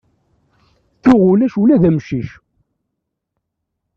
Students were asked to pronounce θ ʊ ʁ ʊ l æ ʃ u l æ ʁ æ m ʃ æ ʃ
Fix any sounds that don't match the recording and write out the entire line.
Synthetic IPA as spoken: θ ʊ ʁ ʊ l æ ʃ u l æ ð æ m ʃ i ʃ